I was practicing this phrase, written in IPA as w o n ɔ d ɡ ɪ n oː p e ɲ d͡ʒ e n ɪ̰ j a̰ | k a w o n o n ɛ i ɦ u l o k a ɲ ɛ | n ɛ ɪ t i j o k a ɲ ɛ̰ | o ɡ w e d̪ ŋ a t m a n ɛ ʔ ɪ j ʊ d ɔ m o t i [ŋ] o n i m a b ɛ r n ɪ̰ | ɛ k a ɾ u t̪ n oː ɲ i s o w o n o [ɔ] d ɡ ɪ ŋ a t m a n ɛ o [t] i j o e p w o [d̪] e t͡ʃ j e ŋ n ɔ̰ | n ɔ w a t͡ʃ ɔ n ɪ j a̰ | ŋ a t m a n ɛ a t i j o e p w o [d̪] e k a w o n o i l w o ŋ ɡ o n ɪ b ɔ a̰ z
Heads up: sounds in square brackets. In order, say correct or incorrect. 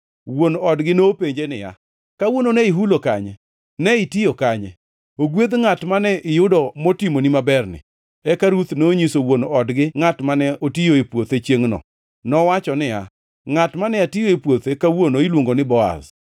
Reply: incorrect, correct, correct, incorrect, incorrect

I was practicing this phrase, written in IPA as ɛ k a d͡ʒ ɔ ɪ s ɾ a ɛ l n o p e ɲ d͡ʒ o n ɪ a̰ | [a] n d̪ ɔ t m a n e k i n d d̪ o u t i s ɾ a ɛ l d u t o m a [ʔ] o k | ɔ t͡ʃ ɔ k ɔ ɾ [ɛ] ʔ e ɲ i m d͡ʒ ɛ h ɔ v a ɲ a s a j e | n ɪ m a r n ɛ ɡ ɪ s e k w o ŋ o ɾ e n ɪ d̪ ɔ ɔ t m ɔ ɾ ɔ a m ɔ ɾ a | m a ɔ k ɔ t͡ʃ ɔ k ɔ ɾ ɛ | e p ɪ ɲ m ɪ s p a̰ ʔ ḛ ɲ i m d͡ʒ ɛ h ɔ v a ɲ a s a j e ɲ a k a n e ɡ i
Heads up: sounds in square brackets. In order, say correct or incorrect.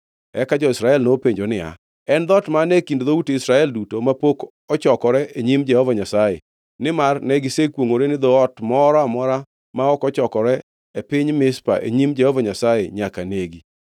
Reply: incorrect, incorrect, correct

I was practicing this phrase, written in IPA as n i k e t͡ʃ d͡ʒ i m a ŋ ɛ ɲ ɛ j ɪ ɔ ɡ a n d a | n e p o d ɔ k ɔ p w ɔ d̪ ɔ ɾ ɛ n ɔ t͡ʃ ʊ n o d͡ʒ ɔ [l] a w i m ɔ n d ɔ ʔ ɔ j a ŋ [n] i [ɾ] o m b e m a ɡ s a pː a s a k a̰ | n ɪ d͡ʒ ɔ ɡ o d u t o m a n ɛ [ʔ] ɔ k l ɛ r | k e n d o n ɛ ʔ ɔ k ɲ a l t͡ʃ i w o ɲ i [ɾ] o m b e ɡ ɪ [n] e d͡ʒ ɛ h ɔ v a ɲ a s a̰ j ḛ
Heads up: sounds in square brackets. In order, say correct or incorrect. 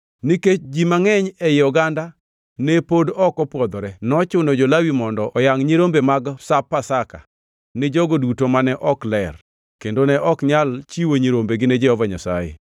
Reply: correct, incorrect, correct, correct, correct, correct

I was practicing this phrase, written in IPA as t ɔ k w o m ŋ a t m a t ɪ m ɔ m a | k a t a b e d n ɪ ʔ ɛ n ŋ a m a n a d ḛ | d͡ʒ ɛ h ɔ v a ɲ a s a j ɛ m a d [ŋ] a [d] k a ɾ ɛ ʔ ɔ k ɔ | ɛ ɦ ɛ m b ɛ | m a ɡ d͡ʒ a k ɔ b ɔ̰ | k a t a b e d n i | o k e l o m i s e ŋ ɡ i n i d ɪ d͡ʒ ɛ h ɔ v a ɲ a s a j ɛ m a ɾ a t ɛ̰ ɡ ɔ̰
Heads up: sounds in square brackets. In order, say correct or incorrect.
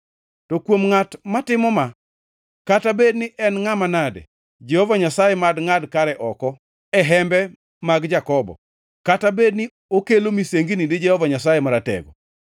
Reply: correct, correct

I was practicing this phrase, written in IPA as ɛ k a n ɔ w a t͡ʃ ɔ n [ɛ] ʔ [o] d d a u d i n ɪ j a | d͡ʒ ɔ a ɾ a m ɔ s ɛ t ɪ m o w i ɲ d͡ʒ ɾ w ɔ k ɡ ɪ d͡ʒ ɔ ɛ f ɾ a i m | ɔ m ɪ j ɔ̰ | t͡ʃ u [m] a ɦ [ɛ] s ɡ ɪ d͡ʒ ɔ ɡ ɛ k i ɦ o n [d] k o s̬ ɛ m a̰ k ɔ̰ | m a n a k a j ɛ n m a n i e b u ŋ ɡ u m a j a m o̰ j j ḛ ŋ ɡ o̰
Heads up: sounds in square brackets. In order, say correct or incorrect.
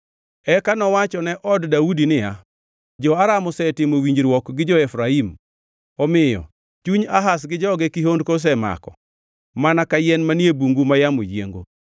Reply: correct, incorrect, incorrect, incorrect, correct

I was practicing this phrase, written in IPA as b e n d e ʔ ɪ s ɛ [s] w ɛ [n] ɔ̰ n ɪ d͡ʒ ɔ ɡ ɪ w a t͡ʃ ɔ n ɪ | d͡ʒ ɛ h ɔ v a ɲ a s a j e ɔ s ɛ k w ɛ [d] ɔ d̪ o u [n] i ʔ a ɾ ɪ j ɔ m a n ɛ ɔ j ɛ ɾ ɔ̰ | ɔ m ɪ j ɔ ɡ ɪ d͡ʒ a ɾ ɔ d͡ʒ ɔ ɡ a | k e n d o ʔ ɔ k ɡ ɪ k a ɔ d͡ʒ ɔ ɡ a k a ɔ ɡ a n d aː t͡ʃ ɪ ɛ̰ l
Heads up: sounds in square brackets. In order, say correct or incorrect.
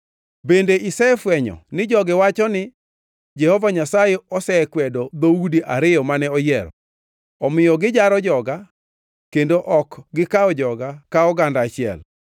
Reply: incorrect, incorrect, correct, incorrect

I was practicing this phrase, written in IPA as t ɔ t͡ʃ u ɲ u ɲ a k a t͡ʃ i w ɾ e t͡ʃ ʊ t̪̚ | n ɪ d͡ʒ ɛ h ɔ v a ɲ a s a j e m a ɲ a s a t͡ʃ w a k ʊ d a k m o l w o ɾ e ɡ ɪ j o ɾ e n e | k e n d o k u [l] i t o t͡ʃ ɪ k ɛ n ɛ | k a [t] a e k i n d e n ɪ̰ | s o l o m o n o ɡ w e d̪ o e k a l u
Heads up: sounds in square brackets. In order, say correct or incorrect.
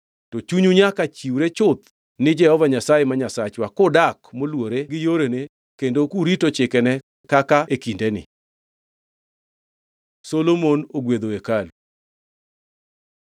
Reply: incorrect, incorrect

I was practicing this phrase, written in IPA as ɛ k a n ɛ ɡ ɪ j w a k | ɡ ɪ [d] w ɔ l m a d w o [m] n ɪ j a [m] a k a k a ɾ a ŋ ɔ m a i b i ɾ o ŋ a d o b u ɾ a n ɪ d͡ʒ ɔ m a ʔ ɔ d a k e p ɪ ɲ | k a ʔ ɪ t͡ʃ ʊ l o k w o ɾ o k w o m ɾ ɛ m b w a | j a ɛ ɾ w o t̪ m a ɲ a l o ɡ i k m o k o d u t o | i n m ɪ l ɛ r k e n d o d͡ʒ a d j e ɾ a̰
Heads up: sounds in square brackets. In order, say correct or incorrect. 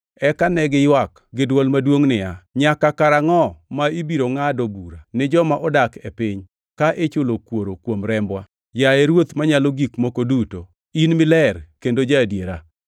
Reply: correct, incorrect, incorrect

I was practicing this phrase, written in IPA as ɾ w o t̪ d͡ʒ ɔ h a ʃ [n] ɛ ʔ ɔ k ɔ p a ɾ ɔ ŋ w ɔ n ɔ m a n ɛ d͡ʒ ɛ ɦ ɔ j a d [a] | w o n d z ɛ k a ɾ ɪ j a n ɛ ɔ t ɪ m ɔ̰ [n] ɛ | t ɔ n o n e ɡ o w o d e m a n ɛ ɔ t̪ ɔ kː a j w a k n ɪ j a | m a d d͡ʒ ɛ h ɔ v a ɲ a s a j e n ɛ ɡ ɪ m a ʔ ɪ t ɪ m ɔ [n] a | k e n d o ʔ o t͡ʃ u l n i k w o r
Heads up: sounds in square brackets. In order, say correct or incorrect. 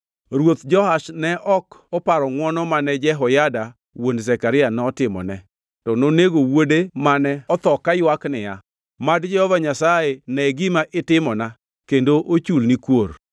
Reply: correct, correct, correct, correct

